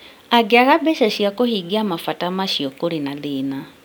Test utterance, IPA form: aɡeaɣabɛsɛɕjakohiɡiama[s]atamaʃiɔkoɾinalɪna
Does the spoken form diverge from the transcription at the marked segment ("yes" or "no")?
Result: yes